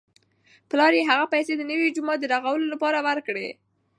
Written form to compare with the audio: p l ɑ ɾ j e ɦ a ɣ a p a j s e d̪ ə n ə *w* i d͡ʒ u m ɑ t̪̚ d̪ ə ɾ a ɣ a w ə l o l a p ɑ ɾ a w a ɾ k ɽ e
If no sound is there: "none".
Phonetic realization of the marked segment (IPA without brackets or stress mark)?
w